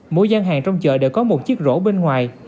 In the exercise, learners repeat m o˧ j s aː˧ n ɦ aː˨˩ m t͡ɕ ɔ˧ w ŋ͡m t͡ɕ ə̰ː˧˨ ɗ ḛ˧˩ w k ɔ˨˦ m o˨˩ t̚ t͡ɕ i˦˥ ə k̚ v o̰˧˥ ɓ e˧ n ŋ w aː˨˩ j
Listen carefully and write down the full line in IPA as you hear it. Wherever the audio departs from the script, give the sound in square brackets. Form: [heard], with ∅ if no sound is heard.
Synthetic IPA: m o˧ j [z] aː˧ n ɦ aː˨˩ [ŋ] t͡ɕ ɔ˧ w ŋ͡m t͡ɕ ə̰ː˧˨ ɗ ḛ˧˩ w k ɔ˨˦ m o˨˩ t̚ t͡ɕ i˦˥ ə k̚ [z] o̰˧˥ ɓ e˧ n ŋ w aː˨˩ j